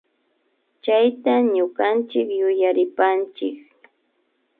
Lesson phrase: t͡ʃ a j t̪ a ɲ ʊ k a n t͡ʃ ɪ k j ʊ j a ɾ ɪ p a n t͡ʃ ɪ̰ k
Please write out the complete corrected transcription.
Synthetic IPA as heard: t͡ʃ a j t̪ a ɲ ʊ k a n t͡ʃ ɪ k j ʊ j a ɾ ɪ p a n t͡ʃ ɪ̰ k